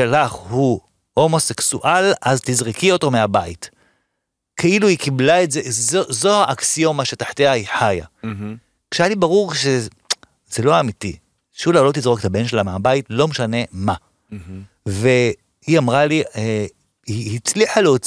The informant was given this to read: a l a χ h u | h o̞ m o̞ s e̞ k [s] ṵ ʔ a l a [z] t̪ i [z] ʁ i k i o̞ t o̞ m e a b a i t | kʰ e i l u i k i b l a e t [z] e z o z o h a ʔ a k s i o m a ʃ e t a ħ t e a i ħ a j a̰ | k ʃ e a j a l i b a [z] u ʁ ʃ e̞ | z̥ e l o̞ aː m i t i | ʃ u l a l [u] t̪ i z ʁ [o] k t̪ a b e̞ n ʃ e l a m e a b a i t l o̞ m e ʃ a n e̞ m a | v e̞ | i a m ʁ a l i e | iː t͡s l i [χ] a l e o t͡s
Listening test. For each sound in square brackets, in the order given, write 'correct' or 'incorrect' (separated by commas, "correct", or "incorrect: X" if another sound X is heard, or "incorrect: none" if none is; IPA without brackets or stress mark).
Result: correct, correct, correct, correct, incorrect: ʁ, incorrect: o, correct, incorrect: ħ